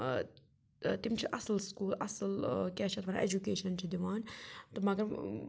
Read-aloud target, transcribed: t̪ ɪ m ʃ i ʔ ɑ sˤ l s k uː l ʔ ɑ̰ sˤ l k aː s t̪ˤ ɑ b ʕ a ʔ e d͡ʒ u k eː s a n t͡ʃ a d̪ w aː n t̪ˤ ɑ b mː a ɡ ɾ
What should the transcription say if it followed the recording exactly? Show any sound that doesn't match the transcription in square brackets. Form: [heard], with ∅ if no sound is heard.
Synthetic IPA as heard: t̪ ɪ m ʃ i ʔ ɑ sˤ l s k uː l ʔ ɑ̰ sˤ l k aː [ʃ] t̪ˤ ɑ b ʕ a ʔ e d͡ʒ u k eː [ʃ] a n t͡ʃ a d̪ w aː n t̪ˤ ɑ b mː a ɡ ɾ

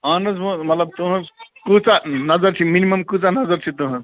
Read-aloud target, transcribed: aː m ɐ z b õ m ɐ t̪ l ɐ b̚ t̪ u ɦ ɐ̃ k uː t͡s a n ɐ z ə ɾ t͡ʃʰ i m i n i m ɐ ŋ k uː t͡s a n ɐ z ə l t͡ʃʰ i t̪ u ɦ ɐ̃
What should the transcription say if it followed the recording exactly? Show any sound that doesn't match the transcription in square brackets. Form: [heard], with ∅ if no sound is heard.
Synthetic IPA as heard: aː [n] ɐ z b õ m ɐ t̪ l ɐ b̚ t̪ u ɦ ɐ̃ k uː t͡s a n ɐ z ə ɾ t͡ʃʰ i m i n i m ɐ [m] k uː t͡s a n ɐ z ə [ɾ] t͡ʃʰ i t̪ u ɦ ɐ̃

